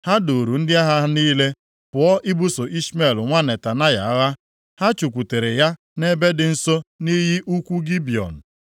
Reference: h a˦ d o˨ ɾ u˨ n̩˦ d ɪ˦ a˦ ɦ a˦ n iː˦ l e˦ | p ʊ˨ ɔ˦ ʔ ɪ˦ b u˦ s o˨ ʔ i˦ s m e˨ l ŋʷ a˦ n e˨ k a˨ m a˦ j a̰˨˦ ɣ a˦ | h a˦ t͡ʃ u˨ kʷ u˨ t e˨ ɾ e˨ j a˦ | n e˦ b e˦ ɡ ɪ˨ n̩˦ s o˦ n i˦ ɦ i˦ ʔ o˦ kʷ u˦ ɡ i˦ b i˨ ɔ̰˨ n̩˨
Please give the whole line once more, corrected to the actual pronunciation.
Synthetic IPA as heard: h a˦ d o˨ ɾ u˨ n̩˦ d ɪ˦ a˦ ɦ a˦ n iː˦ l e˦ | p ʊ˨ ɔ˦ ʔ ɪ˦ b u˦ s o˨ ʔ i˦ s m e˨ l ŋʷ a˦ n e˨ t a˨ n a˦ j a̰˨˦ ɣ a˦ | h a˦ t͡ʃ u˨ kʷ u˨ t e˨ ɾ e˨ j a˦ | n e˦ b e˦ d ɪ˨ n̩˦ s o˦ n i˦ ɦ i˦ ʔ u˦ kʷ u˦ ɡ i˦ b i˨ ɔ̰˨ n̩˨